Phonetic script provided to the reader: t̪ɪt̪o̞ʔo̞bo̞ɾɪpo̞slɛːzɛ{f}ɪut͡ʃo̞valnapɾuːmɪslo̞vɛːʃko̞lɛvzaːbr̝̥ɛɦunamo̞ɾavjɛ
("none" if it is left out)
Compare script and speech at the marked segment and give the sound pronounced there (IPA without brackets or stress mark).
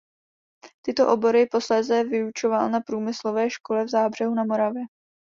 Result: v